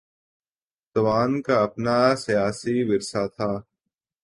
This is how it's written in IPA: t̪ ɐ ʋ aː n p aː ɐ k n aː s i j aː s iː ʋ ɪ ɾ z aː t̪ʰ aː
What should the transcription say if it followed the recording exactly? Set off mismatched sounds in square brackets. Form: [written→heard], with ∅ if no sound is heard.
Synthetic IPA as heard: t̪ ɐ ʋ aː n [p→k] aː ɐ [k→p] n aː s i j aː s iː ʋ ɪ ɾ [z→s] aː t̪ʰ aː